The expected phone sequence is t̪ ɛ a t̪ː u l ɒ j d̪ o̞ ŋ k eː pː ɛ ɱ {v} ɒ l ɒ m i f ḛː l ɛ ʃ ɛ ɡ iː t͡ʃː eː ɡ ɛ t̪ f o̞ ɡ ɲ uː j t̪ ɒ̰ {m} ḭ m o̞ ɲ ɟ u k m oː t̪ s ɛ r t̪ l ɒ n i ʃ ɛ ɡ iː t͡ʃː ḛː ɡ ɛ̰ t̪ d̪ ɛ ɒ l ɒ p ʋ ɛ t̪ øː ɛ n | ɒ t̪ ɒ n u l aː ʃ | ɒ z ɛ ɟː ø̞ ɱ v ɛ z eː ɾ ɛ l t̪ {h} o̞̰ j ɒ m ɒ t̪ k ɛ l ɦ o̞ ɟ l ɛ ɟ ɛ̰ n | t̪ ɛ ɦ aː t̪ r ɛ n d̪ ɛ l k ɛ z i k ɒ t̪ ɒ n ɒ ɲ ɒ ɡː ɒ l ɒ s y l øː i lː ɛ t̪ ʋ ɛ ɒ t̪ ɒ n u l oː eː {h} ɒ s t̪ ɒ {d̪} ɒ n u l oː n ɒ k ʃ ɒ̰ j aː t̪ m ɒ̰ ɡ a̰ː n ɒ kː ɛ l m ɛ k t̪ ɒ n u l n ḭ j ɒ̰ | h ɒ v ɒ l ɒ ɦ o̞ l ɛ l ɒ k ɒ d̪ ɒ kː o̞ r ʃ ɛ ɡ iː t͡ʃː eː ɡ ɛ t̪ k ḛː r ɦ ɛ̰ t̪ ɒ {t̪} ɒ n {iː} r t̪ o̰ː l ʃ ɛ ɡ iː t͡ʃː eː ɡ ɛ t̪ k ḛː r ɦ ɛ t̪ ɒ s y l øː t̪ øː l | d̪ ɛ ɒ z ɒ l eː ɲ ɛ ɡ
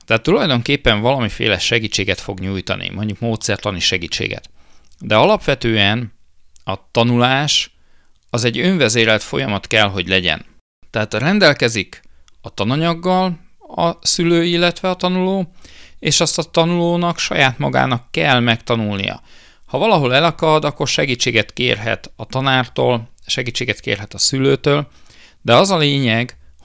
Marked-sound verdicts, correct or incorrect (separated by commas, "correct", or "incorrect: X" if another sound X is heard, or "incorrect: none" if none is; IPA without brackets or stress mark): correct, incorrect: n, incorrect: f, incorrect: ʃ, incorrect: t̪, correct, incorrect: aː